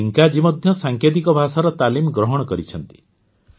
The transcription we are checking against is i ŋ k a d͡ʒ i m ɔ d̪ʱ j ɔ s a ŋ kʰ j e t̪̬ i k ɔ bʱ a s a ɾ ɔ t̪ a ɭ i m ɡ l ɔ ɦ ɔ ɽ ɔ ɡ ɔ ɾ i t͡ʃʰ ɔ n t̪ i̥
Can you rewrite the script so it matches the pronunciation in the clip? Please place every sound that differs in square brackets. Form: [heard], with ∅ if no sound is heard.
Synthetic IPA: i ŋ k a d͡ʒ i m ɔ d̪ʱ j ɔ s a ŋ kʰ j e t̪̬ i k ɔ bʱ a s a ɾ ɔ t̪ a [l] i m ɡ [ɾ] ɔ ɦ ɔ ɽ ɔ [k] ɔ ɾ i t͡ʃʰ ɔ n t̪ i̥